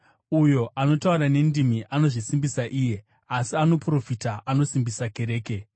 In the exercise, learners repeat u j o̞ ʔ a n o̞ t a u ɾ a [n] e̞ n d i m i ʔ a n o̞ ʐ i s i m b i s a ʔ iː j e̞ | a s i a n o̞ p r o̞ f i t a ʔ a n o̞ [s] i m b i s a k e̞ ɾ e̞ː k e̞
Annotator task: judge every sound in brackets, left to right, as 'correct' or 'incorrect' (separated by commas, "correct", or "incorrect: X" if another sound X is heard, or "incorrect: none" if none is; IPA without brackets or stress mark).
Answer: correct, correct